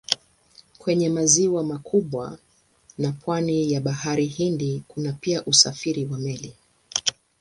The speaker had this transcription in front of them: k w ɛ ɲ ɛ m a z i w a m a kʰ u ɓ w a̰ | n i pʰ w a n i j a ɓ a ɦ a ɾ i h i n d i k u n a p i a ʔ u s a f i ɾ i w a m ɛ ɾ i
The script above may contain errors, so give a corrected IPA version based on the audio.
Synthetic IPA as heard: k w ɛ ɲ ɛ m a z i w a m a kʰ u ɓ w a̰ | n a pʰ w a n i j a ɓ a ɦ a ɾ i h i n d i k u n a p i a ʔ u s a f i ɾ i w a m ɛ l i